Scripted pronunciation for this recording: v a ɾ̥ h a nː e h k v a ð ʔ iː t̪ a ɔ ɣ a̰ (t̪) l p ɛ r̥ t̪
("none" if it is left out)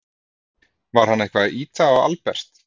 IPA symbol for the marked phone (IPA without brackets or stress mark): none